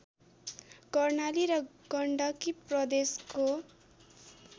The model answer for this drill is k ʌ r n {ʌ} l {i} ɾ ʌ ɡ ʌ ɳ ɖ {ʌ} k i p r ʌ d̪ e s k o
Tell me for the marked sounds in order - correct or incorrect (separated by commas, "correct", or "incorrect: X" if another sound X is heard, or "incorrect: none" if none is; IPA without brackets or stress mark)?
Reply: incorrect: a, correct, correct